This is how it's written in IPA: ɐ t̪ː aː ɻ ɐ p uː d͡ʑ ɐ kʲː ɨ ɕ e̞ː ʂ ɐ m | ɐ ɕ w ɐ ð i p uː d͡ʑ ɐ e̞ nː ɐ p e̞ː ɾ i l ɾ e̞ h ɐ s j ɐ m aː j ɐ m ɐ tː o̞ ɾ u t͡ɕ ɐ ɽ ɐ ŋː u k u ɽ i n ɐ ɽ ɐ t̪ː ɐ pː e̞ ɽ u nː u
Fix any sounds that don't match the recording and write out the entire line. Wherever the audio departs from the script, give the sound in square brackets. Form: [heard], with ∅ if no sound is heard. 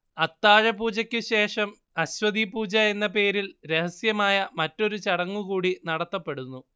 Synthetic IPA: ɐ t̪ː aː ɻ ɐ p uː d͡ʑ ɐ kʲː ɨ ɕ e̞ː ʂ ɐ m | ɐ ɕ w ɐ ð i p uː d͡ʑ ɐ e̞ nː ɐ p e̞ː ɾ i l ɾ e̞ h ɐ s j ɐ m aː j ɐ m ɐ tː o̞ ɾ u t͡ɕ ɐ ɽ ɐ ŋː u k [uː] ɽ i n ɐ ɽ ɐ t̪ː ɐ pː e̞ ɽ u nː u